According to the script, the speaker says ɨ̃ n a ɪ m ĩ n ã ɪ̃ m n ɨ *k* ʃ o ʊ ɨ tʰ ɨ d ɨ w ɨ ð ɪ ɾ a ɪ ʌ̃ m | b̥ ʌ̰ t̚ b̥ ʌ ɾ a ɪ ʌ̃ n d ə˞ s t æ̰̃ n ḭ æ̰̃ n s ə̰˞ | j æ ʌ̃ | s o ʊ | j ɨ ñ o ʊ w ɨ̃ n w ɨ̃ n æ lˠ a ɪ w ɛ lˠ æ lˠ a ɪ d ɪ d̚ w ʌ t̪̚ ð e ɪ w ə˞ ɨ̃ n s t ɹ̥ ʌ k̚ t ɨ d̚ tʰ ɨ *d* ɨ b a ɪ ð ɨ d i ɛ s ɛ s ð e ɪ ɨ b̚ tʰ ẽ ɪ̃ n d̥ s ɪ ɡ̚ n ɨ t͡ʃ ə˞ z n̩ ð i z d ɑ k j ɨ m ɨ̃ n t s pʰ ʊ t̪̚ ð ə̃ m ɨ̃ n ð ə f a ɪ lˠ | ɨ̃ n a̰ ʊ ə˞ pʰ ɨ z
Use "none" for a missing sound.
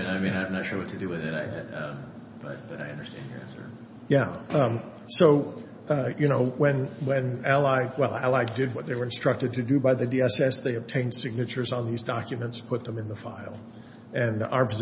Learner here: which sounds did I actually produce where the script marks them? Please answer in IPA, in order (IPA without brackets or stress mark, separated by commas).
t, d